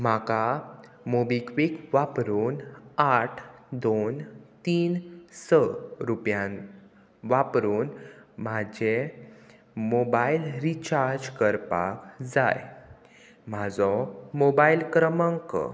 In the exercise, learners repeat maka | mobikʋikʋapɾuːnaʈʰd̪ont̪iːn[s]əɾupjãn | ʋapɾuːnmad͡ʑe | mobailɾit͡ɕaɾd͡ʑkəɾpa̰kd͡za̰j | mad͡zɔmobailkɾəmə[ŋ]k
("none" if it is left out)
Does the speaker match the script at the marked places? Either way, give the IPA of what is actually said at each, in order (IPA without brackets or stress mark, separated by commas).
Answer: s, ŋ